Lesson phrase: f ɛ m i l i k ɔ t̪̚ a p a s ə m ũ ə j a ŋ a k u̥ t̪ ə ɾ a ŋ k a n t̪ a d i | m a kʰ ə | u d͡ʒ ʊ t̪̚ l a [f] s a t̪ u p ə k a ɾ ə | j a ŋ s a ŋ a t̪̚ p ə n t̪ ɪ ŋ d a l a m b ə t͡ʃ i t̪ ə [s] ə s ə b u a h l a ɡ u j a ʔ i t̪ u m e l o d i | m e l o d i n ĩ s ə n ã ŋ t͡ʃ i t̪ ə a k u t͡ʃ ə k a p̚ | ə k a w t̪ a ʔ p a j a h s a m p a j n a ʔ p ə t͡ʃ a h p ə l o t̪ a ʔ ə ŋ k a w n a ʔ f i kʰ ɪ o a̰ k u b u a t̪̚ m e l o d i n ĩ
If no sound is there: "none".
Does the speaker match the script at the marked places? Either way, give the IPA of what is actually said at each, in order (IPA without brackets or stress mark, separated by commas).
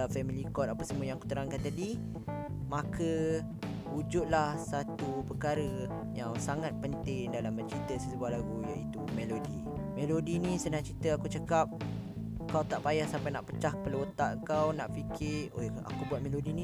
h, s